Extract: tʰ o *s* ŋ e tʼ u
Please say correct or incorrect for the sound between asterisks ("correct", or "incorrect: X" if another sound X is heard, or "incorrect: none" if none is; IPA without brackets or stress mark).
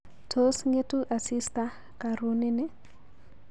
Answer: correct